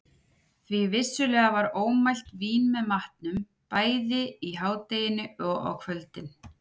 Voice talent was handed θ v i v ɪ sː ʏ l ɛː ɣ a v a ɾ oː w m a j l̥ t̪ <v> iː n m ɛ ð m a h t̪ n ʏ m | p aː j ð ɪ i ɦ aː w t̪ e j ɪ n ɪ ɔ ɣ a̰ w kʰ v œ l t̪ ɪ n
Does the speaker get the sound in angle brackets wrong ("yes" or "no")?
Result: no